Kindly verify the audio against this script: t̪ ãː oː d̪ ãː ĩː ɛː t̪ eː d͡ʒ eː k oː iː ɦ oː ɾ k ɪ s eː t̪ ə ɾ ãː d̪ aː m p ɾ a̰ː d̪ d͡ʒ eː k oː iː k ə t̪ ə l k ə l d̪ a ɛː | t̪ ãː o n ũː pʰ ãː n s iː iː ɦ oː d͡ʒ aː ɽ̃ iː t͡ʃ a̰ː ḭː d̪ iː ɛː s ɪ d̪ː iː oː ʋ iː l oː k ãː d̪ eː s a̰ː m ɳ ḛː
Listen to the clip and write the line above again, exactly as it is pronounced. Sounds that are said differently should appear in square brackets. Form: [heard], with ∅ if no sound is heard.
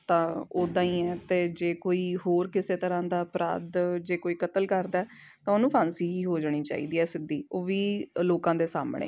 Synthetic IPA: t̪ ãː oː d̪ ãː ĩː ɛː t̪ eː d͡ʒ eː k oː iː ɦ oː ɾ k ɪ s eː t̪ ə ɾ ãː d̪ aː [∅] p ɾ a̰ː d̪ d͡ʒ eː k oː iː k ə t̪ ə l k ə [ɾ] d̪ a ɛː | t̪ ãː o n ũː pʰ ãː n s iː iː ɦ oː d͡ʒ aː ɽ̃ iː t͡ʃ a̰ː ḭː d̪ iː ɛː s ɪ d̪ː iː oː ʋ iː l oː k ãː d̪ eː s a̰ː m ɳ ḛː

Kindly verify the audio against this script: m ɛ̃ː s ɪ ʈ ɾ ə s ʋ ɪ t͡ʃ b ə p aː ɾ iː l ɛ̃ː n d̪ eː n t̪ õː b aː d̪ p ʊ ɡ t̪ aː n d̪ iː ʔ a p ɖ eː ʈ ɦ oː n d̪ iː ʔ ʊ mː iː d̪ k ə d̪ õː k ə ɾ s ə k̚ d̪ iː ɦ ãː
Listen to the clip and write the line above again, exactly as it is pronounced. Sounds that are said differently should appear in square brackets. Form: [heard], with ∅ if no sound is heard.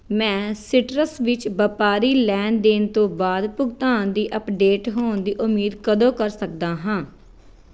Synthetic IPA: m ɛ̃ː s ɪ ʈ ɾ ə s ʋ ɪ t͡ʃ b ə p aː ɾ iː l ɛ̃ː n d̪ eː n t̪ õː b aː d̪ p ʊ ɡ t̪ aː n d̪ iː ʔ [ə] p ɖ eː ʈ ɦ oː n d̪ iː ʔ ʊ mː iː d̪ k ə d̪ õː k ə ɾ s ə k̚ d̪ [aː] ɦ ãː

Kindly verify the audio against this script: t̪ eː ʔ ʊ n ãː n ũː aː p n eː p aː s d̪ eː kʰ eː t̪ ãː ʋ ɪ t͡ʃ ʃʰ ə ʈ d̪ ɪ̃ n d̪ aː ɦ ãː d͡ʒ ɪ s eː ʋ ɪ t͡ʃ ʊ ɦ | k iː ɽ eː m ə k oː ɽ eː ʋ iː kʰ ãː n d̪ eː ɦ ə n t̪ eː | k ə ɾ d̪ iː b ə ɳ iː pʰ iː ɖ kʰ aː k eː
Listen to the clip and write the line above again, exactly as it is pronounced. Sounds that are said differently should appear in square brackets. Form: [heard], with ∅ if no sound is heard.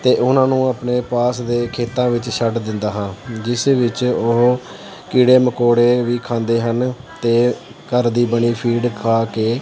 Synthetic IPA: t̪ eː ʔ ʊ n ãː n ũː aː p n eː p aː s d̪ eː kʰ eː t̪ ãː ʋ ɪ t͡ʃ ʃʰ ə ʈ d̪ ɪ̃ n d̪ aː ɦ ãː d͡ʒ ɪ s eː ʋ ɪ t͡ʃ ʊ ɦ | k iː ɽ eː m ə k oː ɽ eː ʋ iː kʰ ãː n d̪ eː ɦ ə n t̪ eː | k ə ɾ d̪ iː b ə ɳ iː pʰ iː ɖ kʰ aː k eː

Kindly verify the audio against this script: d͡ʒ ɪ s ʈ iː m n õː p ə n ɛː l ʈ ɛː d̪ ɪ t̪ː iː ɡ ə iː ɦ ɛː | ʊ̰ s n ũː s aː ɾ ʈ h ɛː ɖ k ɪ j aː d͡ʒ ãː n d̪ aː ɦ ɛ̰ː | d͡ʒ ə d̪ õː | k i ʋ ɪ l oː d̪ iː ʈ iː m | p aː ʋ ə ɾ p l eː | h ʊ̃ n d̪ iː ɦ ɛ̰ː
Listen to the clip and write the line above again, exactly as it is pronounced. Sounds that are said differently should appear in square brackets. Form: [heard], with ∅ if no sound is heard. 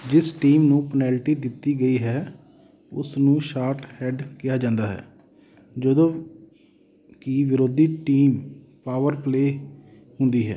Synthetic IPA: d͡ʒ ɪ s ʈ iː m n [ũː] p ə n ɛː l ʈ [iː] d̪ ɪ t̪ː iː ɡ ə iː ɦ ɛː | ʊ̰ s n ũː [ʃ] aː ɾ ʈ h ɛː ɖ k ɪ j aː d͡ʒ ãː n d̪ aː ɦ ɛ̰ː | d͡ʒ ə d̪ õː | k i ʋ ɪ [ɾ] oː d̪ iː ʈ iː m | p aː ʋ ə ɾ p l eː | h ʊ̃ n d̪ iː ɦ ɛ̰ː

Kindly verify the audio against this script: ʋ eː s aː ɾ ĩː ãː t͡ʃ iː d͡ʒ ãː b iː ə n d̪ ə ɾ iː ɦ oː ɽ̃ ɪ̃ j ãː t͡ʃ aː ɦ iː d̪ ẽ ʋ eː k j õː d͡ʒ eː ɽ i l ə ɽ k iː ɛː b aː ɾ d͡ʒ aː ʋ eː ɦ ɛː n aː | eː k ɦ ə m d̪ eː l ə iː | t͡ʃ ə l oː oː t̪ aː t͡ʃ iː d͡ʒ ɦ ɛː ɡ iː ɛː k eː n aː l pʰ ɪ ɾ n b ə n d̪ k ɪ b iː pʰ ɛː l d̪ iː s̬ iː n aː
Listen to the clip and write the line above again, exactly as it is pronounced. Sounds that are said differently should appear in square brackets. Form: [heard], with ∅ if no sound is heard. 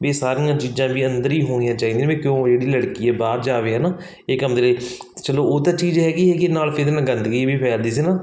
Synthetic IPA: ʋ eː s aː ɾ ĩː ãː t͡ʃ iː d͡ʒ ãː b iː ə n d̪ ə ɾ iː ɦ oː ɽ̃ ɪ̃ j ãː t͡ʃ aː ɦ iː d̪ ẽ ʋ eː k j õː d͡ʒ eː ɽ [iː] l ə ɽ k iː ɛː b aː ɾ d͡ʒ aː ʋ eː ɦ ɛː n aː | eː k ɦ ə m d̪ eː l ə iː | t͡ʃ ə l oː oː t̪ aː t͡ʃ iː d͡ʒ ɦ ɛː ɡ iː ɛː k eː n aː l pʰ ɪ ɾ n [ɡ] ə n d̪ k [i] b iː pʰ ɛː l d̪ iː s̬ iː n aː

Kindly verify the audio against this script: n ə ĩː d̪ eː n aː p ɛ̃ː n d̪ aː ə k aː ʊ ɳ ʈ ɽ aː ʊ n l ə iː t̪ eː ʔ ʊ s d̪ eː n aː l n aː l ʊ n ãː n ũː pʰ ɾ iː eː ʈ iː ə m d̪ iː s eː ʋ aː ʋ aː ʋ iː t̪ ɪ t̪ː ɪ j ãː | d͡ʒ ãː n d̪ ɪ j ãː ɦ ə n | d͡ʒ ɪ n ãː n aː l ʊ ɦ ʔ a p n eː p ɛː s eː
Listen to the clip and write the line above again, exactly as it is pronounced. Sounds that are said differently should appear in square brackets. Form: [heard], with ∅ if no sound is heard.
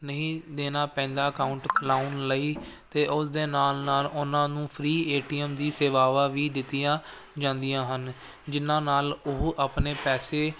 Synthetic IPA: n ə ĩː d̪ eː n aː p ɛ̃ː n d̪ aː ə k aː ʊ ɳ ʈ [l] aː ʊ n l ə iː t̪ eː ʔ ʊ s d̪ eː n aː l n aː l ʊ n ãː n ũː pʰ ɾ iː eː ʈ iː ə m d̪ iː s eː ʋ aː ʋ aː ʋ iː [d̪] ɪ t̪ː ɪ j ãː | d͡ʒ ãː n d̪ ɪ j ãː ɦ ə n | d͡ʒ ɪ n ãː n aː l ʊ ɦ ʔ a p n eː p ɛː s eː

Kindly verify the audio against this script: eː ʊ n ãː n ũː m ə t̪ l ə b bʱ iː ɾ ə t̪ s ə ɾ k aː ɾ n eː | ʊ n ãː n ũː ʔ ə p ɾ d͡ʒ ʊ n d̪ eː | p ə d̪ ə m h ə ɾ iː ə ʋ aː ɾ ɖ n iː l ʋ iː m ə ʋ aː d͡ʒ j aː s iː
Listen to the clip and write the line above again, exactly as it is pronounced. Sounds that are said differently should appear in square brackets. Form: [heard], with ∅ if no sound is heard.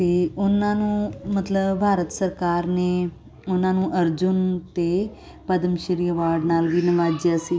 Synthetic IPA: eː ʊ n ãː n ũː m ə t̪ l ə b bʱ [aː] ɾ ə t̪ s ə ɾ k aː ɾ n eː | ʊ n ãː n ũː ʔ ə [∅] ɾ d͡ʒ ʊ n [t̪] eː | p ə d̪ ə m [ʃ] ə ɾ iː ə ʋ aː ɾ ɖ n [aː] l ʋ iː [n] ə ʋ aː d͡ʒ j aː s iː

